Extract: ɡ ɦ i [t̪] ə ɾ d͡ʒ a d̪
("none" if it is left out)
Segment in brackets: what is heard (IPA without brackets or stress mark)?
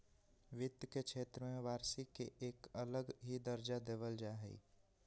d̪